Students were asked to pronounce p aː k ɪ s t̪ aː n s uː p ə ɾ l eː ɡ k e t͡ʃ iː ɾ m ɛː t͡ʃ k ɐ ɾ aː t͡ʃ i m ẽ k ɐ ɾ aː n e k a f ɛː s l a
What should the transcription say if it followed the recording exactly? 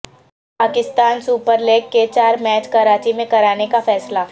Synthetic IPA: p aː k ɪ s t̪ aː n s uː p ə ɾ l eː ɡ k e t͡ʃ aː ɾ m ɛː t͡ʃ k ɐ ɾ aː t͡ʃ i m ẽ k ɐ ɾ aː n e k a f ɛː s l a